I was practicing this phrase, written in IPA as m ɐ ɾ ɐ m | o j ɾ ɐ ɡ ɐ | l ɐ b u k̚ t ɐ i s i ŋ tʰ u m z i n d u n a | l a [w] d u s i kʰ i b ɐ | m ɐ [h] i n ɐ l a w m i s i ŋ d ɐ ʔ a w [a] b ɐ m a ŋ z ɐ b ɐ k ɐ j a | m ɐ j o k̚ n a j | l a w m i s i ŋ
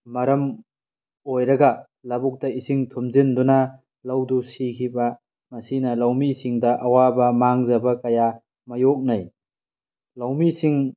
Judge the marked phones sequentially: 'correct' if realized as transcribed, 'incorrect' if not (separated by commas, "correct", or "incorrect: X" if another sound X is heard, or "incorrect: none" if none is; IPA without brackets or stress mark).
correct, incorrect: s, correct